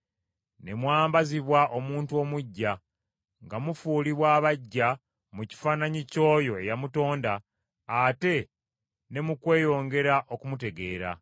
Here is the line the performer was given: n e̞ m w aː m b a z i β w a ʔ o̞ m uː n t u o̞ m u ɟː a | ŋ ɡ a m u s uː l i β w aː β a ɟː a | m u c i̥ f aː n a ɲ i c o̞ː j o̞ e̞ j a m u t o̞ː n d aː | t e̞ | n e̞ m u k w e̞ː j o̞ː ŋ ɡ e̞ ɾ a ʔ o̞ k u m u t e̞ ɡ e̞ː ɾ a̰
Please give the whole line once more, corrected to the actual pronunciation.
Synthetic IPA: n e̞ m w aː m b a z i β w a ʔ o̞ m uː n t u o̞ m u ɟː a | ŋ ɡ a m u f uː l i β w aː β a ɟː a | m u c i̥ f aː n a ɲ i c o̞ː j o̞ e̞ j a m u t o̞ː n d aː | t e̞ | n e̞ m u k w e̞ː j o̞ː ŋ ɡ e̞ ɾ a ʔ o̞ k u m u t e̞ ɡ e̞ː ɾ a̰